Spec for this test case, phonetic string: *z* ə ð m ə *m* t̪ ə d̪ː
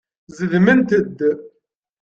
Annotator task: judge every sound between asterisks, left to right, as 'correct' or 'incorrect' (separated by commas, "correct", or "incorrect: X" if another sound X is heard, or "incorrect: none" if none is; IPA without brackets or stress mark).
correct, incorrect: n